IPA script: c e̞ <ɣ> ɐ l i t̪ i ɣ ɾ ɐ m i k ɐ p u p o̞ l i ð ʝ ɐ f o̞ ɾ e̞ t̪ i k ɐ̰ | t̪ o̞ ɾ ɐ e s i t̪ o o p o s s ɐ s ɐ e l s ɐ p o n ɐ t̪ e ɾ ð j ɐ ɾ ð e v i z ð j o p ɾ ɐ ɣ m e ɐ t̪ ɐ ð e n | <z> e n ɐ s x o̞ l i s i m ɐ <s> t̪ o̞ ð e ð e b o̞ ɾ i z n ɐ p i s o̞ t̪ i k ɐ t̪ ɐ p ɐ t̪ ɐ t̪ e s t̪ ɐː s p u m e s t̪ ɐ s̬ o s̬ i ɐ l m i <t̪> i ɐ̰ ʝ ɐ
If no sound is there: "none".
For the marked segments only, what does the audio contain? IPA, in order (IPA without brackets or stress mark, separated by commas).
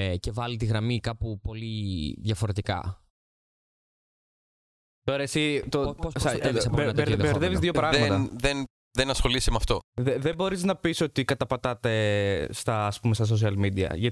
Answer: v, ð, f, d̪